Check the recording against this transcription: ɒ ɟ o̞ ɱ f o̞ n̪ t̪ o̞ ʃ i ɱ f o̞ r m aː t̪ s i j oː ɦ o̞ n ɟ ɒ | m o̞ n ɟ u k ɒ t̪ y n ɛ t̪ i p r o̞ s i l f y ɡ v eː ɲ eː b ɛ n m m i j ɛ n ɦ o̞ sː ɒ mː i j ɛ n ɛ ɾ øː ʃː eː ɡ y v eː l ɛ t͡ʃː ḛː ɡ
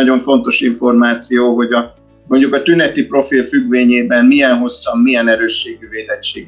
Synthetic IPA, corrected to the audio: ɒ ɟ o̞ ɱ f o̞ n̪ t̪ o̞ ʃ i ɱ f o̞ r m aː t̪ s i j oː ɦ o̞ ɟ ɒ | m o̞ ɲ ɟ u k ɒ t̪ y n ɛ t̪ i p r o̞ f i l f y ɡ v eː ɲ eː b ɛ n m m i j ɛ n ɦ o̞ sː ɒ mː i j ɛ n ɛ ɾ øː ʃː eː ɡ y v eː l ɛ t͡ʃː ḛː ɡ